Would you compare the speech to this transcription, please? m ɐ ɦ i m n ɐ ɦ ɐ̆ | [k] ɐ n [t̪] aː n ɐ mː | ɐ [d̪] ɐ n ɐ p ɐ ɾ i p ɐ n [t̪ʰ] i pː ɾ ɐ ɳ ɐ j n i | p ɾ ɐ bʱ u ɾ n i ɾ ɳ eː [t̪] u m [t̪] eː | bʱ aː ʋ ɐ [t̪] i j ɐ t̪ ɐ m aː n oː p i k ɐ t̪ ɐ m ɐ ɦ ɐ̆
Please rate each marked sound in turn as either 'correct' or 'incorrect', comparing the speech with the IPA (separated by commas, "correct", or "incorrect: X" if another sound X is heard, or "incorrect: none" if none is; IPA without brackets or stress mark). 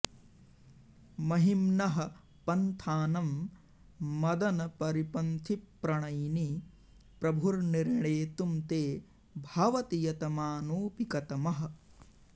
incorrect: p, incorrect: t̪ʰ, correct, correct, correct, correct, correct